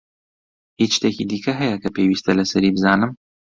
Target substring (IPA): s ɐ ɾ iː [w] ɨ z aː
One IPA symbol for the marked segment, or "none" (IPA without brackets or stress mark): b